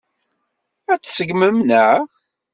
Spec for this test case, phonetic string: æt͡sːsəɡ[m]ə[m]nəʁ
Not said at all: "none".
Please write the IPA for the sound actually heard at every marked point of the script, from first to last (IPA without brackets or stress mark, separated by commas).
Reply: m, m